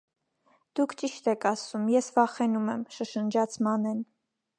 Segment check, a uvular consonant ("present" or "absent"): present